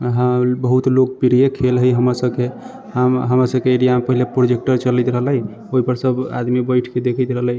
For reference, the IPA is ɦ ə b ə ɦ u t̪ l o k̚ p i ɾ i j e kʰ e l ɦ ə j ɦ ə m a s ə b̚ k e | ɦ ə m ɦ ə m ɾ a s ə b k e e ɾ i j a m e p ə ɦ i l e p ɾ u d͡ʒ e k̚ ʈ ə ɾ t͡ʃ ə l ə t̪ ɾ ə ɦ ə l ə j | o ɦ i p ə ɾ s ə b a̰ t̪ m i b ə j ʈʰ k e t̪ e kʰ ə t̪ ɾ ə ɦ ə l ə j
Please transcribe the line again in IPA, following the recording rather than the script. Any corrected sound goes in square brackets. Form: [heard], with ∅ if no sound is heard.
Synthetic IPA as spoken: ɦ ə b ə ɦ u t̪ l o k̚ p i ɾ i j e kʰ e l ɦ ə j ɦ ə m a s ə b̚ k e | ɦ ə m ɦ ə m ɾ a s ə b k e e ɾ i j a m e p ə ɦ i l e p ɾ [o] d͡ʒ e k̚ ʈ ə ɾ t͡ʃ ə l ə t̪ ɾ ə ɦ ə l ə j | o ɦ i p ə ɾ s ə b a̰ [d̪] m i b ə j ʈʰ k e [d̪] e kʰ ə t̪ ɾ ə ɦ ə l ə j